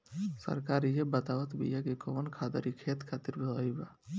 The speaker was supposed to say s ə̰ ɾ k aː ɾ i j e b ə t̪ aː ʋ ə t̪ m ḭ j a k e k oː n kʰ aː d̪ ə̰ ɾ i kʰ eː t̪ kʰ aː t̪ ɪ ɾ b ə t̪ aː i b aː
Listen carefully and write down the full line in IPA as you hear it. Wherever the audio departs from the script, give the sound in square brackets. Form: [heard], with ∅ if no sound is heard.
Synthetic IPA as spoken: s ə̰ ɾ k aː ɾ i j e b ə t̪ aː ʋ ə t̪ [b] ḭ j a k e k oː n kʰ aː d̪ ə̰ ɾ i kʰ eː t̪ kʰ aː t̪ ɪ ɾ b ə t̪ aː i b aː

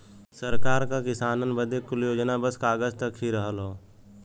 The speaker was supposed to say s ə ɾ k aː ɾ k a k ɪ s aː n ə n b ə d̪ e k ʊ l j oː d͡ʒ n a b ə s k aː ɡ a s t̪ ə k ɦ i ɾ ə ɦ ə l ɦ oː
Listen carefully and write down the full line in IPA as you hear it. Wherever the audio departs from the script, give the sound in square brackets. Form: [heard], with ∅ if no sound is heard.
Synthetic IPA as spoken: s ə ɾ k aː ɾ k a k ɪ s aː n ə n b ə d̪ e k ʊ l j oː d͡ʒ n a b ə s k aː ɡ [ə] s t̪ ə k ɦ i ɾ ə ɦ ə l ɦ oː

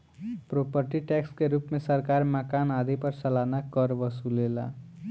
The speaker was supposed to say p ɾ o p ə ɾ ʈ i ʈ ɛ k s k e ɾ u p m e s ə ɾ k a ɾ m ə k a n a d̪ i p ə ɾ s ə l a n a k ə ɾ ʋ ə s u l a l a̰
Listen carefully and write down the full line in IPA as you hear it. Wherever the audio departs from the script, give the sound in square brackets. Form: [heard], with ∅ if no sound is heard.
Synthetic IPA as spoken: p ɾ o p ə ɾ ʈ i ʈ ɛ k s k e ɾ u p m e s ə ɾ k a ɾ m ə k a n a d̪ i p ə ɾ s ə l a n a k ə ɾ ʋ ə s u l [e] l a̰

